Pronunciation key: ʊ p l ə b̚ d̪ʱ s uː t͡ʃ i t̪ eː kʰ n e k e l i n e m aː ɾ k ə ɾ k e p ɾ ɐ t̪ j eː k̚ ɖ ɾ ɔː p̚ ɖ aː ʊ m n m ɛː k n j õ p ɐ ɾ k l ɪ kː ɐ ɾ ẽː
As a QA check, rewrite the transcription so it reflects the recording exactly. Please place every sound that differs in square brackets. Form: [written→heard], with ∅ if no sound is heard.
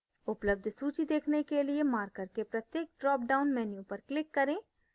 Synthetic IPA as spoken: ʊ p l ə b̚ d̪ʱ s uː t͡ʃ i [t̪→d̪] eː kʰ n e k e l i [n→∅] e m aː ɾ k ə ɾ k e p ɾ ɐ t̪ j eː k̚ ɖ ɾ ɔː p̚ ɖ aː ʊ [m→∅] n m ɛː [k→∅] n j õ p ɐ ɾ k l ɪ kː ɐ ɾ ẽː